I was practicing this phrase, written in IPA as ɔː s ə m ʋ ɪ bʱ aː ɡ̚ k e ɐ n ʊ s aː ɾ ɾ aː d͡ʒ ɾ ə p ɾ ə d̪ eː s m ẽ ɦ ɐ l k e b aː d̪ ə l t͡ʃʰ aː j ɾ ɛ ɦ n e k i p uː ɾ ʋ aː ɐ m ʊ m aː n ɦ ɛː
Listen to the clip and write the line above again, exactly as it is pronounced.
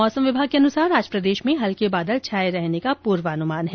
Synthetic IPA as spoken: ɔː s ə m ʋ ɪ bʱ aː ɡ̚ k e ɐ n ʊ s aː ɾ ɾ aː d͡ʒ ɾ ə p ɾ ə d̪ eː ʃ m ẽ ɦ ɐ l k e b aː d̪ ə l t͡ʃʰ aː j ɾ ɛ ɦ n e k a p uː ɾ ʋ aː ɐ n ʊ m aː n ɦ ɛː